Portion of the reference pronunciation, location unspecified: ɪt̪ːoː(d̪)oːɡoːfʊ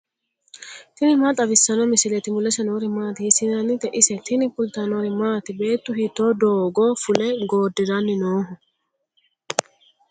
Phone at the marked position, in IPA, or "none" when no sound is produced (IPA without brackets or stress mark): d̪